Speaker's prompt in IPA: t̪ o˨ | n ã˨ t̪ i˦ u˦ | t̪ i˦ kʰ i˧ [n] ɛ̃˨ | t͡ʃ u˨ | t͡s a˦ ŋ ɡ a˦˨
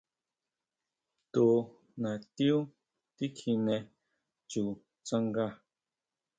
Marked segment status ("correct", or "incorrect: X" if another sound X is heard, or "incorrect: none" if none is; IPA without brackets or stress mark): correct